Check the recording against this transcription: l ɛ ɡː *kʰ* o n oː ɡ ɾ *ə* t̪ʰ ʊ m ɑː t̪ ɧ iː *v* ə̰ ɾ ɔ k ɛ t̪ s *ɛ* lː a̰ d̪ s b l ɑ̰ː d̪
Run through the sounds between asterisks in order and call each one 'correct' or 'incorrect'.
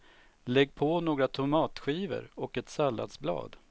incorrect, incorrect, correct, incorrect

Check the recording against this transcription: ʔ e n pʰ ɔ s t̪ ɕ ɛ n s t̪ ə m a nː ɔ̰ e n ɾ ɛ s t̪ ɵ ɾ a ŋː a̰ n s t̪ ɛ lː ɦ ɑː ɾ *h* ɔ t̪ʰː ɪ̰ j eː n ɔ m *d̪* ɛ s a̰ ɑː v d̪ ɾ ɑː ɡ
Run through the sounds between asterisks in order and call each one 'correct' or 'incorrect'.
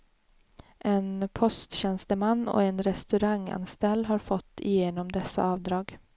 incorrect, correct

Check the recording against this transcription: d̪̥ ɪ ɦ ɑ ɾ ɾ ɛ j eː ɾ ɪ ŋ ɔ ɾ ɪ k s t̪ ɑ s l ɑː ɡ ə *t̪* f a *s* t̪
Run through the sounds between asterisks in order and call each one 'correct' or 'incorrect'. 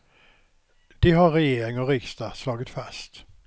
correct, correct

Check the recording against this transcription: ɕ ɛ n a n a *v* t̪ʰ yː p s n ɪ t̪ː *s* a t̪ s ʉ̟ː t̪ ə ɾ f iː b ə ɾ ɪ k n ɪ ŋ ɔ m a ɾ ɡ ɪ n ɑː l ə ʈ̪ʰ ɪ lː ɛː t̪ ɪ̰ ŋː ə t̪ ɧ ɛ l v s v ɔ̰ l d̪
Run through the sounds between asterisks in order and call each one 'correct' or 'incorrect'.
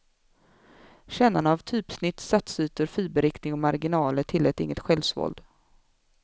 correct, correct

